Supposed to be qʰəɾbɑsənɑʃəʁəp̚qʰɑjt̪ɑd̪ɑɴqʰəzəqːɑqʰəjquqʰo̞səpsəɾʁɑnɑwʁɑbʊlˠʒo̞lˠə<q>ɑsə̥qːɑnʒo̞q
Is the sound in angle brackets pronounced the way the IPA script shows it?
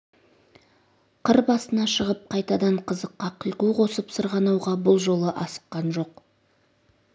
no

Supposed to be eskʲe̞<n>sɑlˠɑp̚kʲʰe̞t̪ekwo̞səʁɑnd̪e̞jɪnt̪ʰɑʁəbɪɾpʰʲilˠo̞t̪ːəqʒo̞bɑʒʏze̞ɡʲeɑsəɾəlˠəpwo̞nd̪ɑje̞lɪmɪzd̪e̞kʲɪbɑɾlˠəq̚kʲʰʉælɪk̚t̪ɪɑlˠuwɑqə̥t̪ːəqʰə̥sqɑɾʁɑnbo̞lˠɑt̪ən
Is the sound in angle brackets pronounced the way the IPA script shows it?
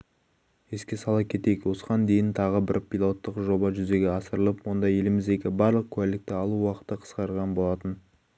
no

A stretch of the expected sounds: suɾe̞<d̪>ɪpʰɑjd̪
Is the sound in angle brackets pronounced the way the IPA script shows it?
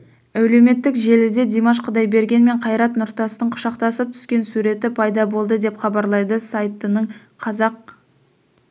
no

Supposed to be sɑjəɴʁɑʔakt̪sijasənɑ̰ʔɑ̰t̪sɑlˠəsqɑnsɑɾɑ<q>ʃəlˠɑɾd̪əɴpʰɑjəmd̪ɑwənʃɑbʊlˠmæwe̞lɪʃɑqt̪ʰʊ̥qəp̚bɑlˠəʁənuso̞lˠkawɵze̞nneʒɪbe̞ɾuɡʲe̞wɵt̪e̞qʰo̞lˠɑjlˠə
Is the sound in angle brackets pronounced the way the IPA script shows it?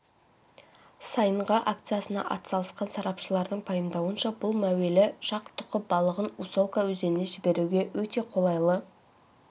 no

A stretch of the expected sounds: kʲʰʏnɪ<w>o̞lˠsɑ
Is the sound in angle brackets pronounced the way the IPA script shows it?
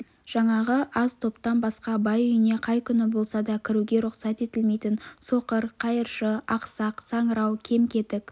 no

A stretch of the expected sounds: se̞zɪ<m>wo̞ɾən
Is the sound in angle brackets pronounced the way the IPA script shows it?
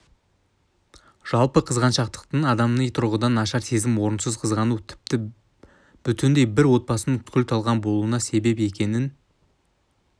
yes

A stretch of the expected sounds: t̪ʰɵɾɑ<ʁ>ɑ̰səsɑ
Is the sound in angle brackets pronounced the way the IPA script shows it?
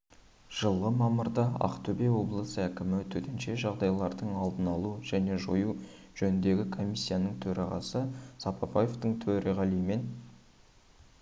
yes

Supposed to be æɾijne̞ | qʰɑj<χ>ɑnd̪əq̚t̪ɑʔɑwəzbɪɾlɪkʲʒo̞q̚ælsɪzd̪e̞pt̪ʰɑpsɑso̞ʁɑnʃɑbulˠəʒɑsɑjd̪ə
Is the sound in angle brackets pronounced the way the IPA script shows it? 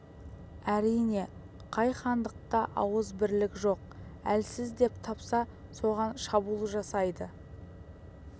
yes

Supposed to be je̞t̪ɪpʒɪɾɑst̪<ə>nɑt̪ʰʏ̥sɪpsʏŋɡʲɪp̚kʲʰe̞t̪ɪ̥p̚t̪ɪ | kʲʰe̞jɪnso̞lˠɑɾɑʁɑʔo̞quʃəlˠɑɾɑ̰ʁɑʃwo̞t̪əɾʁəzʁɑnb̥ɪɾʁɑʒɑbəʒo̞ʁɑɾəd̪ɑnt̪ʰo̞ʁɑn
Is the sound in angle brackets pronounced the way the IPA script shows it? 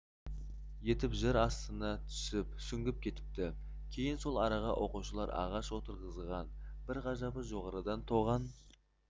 yes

